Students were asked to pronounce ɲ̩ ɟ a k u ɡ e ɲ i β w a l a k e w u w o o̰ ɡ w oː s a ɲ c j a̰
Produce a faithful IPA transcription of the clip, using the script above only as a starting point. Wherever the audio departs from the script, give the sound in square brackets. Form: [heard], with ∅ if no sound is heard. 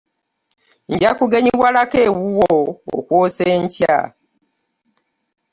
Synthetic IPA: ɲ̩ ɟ a k u ɡ e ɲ i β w a l a k e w u w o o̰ [k] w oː s [e] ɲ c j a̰